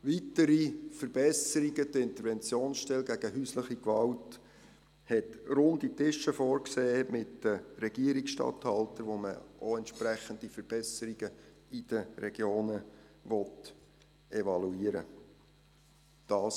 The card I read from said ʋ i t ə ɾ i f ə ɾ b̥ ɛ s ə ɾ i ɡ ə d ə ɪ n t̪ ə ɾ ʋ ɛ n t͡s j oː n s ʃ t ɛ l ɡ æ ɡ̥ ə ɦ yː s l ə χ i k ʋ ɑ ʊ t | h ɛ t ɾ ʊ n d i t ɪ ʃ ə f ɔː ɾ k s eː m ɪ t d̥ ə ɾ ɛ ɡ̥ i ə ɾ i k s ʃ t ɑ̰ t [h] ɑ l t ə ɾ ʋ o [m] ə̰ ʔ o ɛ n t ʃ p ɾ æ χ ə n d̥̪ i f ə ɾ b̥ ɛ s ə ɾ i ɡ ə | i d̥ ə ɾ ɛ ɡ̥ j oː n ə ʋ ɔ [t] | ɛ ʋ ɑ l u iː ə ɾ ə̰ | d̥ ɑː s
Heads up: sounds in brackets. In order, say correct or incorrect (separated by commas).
correct, correct, correct